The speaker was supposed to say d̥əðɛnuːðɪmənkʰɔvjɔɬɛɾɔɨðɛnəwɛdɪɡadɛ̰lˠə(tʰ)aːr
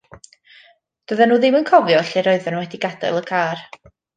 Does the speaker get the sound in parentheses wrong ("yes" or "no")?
yes